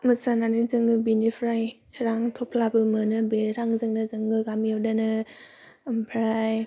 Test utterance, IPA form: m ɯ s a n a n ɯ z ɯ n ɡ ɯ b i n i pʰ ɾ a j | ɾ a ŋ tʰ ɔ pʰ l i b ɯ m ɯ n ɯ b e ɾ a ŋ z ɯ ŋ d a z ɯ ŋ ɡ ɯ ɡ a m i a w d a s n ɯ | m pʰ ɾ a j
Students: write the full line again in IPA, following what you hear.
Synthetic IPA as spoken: m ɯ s a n a n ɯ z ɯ ŋ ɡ ɯ b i n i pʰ ɾ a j | ɾ a ŋ tʰ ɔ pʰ l a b ɯ m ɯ n ɯ b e ɾ a ŋ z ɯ ŋ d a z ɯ ŋ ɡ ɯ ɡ a m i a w d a n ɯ | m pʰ ɾ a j